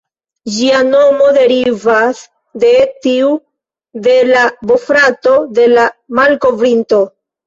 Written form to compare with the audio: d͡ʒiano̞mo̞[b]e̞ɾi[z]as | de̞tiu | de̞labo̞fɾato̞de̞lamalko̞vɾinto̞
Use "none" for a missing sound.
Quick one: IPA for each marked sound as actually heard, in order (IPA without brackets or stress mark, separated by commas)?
d, v